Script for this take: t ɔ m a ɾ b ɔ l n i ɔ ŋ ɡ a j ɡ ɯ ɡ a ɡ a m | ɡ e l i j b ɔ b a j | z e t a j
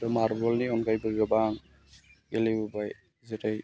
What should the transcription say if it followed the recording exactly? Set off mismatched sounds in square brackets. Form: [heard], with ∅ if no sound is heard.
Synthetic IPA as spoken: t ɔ m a ɾ b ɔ l n i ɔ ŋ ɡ a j [b] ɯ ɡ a [b] a [ŋ] | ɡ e l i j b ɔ b a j | z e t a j